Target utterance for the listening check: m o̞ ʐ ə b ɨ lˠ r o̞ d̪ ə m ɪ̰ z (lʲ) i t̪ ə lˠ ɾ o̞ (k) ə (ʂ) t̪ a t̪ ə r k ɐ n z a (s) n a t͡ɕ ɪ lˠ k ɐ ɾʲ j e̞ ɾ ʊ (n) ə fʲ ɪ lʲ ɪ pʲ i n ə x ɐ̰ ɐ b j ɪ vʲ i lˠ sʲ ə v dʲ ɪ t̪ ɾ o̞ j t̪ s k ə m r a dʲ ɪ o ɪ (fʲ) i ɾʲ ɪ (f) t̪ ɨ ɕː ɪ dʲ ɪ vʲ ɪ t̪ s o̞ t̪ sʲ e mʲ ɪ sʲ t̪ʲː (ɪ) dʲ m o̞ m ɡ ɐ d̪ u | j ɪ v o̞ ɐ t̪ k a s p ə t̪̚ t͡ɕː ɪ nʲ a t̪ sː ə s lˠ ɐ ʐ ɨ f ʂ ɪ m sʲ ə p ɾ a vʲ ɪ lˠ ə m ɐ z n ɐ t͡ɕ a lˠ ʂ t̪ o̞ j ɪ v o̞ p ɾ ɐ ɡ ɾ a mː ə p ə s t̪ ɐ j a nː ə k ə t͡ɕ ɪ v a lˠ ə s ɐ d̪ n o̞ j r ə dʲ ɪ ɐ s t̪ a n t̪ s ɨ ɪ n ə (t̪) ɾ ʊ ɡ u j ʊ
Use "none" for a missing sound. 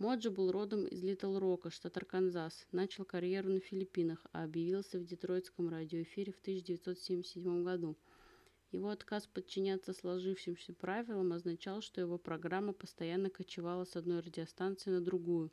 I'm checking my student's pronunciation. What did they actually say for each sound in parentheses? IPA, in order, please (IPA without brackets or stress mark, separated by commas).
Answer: lʲ, k, ʂ, s, n, fʲ, f, ɪ, d̪